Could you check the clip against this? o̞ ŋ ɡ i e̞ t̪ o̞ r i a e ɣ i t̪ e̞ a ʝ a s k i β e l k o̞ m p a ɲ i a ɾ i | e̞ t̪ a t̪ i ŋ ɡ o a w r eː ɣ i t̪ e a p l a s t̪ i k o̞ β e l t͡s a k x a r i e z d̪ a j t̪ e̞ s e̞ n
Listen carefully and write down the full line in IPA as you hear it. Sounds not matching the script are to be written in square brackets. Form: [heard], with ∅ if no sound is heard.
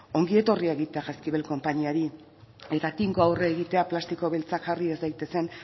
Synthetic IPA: o̞ ŋ ɡ i e̞ t̪ o̞ r i a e ɣ i t̪ e̞ a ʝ a s k i β e l k o̞ m p a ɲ i a ɾ i | e̞ t̪ a t̪ i ŋ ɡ o a w r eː ɣ i t̪ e a p l a s t̪ i k o̞ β e l t͡s a k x a r i e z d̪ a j t̪ e̞ s e̞ n